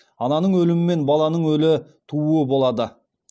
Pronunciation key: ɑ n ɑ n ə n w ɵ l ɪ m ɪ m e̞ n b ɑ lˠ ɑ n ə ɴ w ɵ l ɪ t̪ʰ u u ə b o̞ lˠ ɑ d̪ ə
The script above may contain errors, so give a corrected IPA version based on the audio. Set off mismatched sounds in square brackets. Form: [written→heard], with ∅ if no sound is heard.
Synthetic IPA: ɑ n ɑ n ə [n→ɴ] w ɵ l ɪ m ɪ m e̞ n b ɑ lˠ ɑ n ə ɴ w ɵ l ɪ t̪ʰ u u ə b o̞ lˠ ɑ d̪ ə